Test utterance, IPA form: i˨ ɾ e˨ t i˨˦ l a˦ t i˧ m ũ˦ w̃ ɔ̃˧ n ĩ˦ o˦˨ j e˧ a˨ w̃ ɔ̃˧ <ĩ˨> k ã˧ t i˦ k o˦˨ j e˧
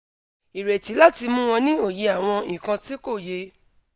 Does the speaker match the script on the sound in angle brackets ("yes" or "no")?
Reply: yes